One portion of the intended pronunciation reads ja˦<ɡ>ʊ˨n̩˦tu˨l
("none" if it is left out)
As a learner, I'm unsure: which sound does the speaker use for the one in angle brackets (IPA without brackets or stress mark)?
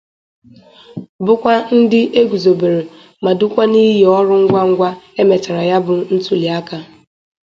b